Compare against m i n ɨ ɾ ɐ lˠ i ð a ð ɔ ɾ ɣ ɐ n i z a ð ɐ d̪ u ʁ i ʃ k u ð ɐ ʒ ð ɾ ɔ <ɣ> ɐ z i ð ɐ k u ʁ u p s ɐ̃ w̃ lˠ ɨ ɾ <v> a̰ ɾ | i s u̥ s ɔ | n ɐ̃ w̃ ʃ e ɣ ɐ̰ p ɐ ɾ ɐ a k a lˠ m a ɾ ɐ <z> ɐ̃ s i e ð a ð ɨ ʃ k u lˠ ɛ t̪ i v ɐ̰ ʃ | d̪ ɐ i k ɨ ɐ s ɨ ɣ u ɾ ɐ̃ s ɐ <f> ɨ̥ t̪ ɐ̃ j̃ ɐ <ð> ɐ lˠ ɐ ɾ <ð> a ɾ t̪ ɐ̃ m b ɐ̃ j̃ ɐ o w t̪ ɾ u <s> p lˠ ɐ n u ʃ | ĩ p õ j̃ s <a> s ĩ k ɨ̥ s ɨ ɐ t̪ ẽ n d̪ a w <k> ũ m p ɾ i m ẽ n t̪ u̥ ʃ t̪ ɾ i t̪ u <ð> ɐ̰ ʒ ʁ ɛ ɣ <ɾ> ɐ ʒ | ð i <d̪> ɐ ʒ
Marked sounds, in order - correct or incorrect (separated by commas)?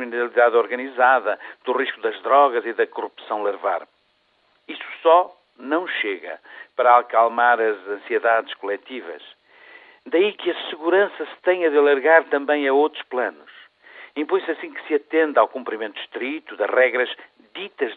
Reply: correct, correct, correct, incorrect, correct, incorrect, incorrect, incorrect, correct, correct, correct, incorrect